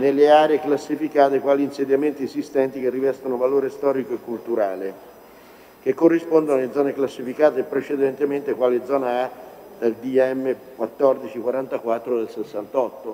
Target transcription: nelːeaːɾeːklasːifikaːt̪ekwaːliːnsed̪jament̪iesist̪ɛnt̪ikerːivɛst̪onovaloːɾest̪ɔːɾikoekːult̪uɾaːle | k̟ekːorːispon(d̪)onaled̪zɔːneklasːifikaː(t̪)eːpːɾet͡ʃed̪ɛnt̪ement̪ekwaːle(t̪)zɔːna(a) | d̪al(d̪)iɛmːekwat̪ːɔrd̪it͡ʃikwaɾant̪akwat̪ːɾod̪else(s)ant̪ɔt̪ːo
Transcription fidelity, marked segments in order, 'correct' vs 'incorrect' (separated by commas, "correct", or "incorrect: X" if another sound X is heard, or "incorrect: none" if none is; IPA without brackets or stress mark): correct, correct, incorrect: d̪, correct, correct, incorrect: sː